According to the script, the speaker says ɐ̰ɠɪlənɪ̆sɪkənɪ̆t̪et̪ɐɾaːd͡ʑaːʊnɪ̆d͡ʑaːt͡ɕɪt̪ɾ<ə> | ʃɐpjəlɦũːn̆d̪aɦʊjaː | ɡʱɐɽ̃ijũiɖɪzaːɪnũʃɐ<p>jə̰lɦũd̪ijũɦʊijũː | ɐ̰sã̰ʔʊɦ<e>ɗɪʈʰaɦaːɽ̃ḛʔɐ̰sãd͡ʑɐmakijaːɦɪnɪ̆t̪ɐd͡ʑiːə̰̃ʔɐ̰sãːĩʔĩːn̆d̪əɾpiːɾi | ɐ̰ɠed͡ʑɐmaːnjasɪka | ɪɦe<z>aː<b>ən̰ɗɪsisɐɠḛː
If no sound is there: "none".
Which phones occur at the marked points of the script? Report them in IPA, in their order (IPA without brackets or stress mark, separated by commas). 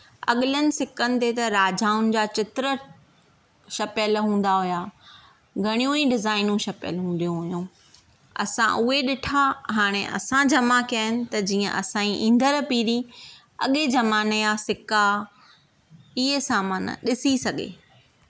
ə, p, e, s, m